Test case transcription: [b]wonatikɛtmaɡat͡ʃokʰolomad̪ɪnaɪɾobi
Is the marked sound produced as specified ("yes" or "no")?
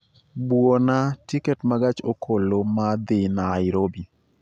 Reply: yes